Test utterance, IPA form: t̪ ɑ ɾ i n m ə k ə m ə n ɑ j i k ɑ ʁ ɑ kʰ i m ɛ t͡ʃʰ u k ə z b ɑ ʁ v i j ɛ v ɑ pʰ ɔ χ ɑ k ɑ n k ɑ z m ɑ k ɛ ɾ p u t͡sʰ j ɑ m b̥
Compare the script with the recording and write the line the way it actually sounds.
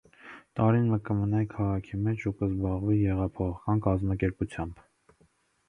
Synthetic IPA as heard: t̪ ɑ ɾ i n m ə k ə m ə n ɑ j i kʰ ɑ ʁ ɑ kʰ i m ɛ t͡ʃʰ u k ə z b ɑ ʁ v i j ɛ ʁ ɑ pʰ ɔ χ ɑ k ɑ n k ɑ z m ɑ k ɛ ɾ p u t͡sʰ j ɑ m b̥